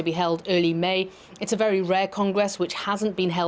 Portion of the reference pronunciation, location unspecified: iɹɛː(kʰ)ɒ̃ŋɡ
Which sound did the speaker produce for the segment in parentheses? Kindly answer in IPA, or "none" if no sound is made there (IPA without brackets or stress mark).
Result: kʰ